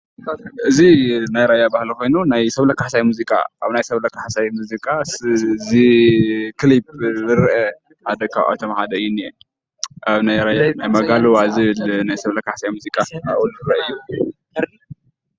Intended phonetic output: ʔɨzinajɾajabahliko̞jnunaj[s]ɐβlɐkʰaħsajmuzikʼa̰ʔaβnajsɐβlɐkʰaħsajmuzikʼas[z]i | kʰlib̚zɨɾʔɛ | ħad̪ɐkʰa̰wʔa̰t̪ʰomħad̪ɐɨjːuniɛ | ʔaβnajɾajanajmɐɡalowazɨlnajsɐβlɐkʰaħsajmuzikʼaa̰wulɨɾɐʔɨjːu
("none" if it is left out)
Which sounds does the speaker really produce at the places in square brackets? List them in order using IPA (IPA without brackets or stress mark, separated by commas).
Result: s, z